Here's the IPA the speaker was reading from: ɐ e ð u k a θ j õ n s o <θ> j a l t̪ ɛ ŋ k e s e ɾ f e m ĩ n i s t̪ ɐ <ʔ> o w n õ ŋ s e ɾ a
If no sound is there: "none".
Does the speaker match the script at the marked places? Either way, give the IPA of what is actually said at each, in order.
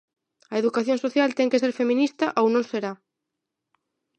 θ, ʔ

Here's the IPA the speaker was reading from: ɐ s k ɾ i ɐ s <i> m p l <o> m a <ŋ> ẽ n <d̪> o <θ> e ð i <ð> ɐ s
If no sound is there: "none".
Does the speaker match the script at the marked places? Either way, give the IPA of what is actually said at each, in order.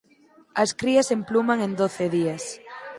e, u, ŋ, d̪, θ, none

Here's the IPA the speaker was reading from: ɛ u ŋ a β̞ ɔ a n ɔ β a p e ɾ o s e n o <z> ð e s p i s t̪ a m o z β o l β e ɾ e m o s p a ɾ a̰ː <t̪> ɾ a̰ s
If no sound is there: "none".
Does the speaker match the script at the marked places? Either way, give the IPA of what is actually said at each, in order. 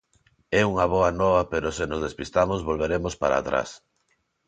z, t̪

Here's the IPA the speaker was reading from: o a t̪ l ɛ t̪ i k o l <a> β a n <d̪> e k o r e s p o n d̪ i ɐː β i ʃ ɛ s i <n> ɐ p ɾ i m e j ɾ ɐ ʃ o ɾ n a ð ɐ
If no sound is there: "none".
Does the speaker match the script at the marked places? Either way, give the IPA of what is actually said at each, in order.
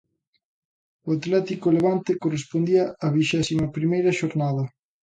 e, t̪, m

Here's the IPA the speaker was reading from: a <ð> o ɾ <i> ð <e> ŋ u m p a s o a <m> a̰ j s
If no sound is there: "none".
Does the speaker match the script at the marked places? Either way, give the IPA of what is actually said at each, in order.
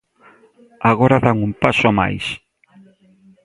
ɣ, a, a, m

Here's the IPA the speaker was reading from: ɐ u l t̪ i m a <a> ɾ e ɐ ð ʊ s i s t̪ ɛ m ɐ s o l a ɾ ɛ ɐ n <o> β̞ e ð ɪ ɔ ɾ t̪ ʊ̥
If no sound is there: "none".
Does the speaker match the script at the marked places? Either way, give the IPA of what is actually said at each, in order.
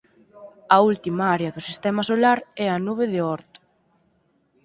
a, u

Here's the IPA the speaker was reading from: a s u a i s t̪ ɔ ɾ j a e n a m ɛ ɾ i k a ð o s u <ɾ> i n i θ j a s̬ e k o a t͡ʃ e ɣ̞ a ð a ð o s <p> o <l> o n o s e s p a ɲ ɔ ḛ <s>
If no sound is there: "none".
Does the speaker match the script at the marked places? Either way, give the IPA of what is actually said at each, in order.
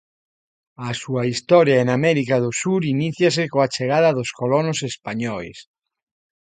ɾ, k, l, s

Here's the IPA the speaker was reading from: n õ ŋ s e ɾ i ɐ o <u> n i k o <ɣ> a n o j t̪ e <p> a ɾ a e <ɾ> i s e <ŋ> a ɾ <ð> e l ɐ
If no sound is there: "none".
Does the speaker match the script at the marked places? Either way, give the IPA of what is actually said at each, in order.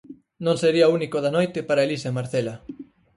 u, ð, p, l, m, θ

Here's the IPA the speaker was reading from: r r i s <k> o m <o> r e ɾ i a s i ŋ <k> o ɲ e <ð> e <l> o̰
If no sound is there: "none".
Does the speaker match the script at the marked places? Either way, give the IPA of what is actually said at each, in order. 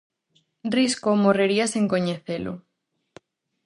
k, o, k, θ, l

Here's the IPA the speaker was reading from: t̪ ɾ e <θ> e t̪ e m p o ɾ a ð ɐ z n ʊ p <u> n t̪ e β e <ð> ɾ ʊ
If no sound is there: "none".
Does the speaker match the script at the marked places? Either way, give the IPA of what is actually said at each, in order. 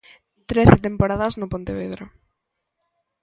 θ, o, ð

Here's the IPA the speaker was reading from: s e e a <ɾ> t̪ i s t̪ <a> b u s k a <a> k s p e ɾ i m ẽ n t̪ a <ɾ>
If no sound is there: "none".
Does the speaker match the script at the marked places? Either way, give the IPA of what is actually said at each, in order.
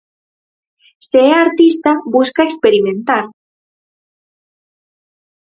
ɾ, a, e, ɾ

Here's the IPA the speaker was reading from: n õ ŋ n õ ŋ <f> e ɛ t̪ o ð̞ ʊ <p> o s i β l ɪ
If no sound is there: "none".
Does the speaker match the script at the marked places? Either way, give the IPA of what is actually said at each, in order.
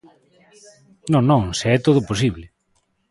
s, p

